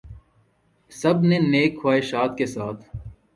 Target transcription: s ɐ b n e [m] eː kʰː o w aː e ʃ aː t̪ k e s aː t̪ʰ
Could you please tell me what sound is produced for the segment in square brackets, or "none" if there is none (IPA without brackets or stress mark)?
n